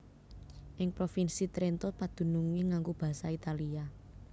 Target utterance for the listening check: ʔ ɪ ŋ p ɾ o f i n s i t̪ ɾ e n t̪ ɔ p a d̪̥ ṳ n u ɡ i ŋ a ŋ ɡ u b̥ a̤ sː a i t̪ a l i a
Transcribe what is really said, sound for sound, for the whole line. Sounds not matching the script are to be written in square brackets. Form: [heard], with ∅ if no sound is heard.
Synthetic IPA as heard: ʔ ɪ ŋ p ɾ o f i n s i t̪ ɾ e n t̪ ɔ p a d̪̥ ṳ n u [ŋ] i ŋ a ŋ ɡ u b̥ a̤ [s] a i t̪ a l i a